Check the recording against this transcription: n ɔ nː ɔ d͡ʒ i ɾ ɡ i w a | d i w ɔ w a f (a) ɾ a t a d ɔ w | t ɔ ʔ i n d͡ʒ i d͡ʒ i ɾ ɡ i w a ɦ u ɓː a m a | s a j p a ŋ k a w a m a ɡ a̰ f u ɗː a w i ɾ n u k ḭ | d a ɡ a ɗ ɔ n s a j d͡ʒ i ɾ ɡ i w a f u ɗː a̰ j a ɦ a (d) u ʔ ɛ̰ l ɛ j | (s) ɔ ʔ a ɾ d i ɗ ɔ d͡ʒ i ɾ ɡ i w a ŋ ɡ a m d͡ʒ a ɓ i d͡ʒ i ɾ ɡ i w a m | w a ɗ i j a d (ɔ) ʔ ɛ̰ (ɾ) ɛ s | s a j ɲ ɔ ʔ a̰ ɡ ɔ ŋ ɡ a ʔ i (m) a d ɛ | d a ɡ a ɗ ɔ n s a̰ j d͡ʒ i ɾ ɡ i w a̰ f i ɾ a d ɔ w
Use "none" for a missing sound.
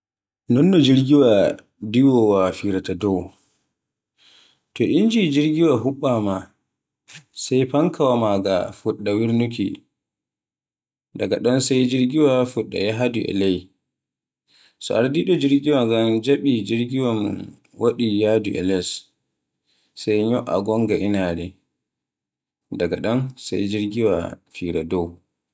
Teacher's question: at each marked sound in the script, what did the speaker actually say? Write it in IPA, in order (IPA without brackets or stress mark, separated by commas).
i, d, s, u, l, n